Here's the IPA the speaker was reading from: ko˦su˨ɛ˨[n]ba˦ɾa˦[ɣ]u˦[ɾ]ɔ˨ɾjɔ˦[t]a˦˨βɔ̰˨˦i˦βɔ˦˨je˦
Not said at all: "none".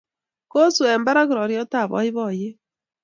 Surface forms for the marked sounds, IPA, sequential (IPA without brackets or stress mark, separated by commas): m, ɣ, ɾ, t